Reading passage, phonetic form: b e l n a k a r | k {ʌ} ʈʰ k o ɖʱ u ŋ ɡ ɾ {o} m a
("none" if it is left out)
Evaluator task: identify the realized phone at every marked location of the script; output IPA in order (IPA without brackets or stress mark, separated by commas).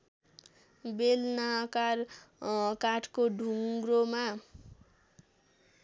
a, o